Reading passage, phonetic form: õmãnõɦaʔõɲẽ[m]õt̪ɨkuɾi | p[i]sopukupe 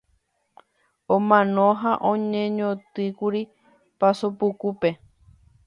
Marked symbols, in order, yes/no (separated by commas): no, no